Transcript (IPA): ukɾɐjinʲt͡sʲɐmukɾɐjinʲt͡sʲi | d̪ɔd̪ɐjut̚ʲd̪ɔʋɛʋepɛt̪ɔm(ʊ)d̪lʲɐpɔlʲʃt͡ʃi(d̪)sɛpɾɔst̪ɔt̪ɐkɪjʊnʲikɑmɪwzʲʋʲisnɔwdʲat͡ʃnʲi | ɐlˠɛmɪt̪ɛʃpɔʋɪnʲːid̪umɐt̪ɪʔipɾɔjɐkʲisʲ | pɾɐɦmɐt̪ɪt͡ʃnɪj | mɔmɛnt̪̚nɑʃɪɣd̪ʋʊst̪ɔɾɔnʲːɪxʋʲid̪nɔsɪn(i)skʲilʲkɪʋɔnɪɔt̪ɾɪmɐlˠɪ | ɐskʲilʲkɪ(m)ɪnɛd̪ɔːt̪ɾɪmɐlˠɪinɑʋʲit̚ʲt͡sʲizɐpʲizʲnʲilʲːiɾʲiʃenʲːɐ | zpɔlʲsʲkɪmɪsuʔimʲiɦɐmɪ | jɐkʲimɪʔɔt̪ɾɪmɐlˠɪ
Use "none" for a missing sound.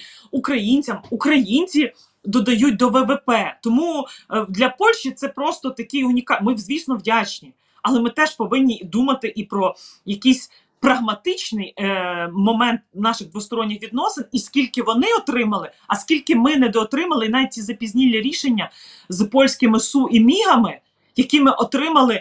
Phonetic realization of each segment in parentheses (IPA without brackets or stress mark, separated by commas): u, t̪, i, m